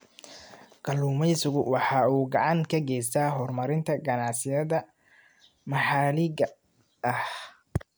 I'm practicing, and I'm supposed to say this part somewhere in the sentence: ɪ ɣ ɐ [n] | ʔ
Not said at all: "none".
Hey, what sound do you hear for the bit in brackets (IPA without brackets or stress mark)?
none